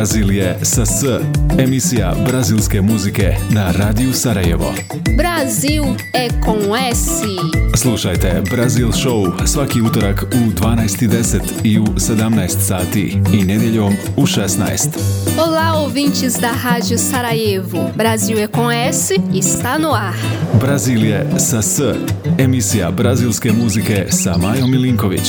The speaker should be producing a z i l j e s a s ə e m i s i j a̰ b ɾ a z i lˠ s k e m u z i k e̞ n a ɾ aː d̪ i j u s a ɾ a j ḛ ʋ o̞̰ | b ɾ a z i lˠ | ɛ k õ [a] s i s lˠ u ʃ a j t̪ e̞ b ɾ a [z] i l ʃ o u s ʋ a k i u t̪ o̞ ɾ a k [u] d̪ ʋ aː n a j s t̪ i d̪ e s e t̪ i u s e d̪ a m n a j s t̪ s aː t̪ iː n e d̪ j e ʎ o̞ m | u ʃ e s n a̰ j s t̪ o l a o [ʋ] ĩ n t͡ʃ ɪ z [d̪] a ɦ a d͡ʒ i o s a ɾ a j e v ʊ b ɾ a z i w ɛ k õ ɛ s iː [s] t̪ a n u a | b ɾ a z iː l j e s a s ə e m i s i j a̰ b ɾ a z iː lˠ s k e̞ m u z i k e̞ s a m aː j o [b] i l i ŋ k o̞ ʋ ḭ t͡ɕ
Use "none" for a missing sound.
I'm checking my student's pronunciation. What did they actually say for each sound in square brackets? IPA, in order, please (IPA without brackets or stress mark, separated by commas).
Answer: ɛ, z, u, v, d̪, s, m